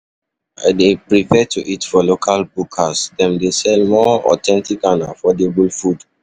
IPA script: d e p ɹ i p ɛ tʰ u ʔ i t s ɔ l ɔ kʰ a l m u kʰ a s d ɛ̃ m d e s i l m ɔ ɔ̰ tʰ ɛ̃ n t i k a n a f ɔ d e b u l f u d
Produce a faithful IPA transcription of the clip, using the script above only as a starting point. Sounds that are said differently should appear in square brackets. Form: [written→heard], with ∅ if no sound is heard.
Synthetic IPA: d e p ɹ i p ɛ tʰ u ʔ i t [s→f] ɔ l [ɔ→o] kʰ a l [m→b] u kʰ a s d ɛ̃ m d e s [i→ɛ] l m ɔ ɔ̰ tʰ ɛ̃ n t i k a n a f ɔ d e b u l f u d